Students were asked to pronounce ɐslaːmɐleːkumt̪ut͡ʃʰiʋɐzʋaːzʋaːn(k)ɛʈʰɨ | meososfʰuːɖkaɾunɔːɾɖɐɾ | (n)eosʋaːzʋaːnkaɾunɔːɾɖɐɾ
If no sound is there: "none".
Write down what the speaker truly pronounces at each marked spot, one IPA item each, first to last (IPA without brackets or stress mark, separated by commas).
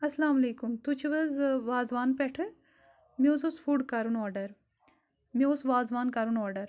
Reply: p, m